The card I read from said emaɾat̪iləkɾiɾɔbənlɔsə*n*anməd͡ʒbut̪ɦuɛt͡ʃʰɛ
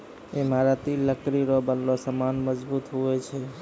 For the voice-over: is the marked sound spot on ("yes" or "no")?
no